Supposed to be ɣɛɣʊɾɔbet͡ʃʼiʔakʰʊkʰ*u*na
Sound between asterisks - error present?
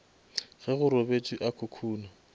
yes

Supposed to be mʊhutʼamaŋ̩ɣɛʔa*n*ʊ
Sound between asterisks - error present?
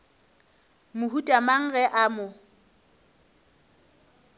yes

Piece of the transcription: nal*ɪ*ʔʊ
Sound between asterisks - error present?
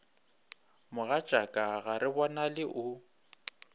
no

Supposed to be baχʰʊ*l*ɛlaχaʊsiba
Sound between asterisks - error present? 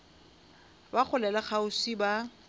no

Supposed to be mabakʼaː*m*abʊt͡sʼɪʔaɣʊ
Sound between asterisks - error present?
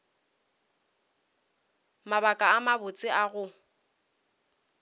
no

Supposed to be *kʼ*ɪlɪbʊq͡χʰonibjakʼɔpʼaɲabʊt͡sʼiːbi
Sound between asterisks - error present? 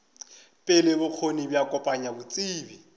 yes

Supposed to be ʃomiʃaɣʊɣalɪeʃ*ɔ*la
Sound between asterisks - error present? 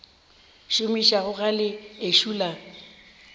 yes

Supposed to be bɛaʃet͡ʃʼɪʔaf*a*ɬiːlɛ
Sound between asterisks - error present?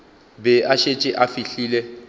yes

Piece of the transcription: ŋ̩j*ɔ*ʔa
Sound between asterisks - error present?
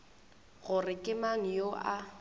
yes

